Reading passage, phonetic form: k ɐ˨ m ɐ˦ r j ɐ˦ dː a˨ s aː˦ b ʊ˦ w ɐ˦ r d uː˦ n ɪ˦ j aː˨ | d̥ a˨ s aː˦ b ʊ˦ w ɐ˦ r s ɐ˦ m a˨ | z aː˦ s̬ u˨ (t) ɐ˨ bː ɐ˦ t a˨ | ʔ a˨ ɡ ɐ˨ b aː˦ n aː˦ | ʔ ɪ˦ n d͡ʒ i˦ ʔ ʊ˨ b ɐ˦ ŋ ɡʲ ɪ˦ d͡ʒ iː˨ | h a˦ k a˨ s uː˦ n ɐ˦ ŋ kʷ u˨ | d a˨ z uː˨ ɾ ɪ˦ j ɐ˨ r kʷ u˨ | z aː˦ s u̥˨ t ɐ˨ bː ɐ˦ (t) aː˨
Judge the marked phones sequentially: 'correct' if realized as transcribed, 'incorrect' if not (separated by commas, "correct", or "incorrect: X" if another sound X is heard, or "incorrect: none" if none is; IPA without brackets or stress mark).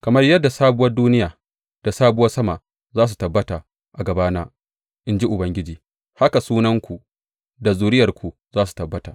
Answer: correct, correct